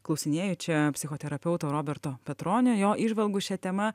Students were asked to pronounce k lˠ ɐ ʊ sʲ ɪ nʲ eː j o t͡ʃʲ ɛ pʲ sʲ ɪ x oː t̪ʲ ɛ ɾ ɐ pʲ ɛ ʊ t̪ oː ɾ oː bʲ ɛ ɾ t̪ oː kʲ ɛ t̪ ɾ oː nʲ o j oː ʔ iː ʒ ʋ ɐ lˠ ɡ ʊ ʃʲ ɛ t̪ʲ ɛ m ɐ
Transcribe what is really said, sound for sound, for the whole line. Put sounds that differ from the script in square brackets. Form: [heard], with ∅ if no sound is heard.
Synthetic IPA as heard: k lˠ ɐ ʊ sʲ ɪ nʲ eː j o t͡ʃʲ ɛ pʲ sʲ ɪ x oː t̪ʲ ɛ ɾ ɐ pʲ ɛ ʊ t̪ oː ɾ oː bʲ ɛ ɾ t̪ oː [pʲ] ɛ t̪ ɾ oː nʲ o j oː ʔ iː ʒ ʋ ɐ lˠ ɡ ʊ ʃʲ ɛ t̪ʲ ɛ m ɐ